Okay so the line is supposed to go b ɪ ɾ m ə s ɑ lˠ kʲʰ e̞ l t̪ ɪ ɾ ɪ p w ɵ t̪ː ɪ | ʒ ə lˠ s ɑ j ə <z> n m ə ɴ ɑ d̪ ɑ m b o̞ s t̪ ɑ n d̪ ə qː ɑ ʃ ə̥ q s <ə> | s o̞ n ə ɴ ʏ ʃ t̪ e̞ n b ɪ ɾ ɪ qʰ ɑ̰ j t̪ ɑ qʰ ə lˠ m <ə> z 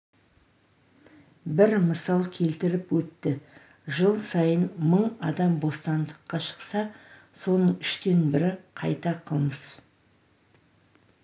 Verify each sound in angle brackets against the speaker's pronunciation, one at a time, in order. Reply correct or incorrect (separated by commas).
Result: incorrect, incorrect, correct